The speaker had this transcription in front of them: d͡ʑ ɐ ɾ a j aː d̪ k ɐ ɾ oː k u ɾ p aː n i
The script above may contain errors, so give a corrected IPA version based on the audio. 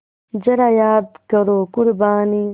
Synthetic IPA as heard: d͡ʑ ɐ ɾ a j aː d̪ k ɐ ɾ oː k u ɾ b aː n i